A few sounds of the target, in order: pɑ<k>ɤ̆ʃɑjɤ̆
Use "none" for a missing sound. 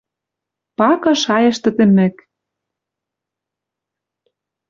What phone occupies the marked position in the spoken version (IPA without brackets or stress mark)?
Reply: k